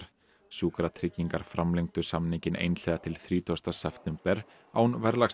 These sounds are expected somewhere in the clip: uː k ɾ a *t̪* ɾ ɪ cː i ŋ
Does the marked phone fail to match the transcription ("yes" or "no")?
yes